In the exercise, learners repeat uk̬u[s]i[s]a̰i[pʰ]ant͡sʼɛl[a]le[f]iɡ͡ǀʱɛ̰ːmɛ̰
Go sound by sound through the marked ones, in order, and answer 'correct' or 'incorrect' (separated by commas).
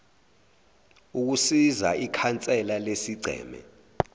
correct, incorrect, incorrect, correct, incorrect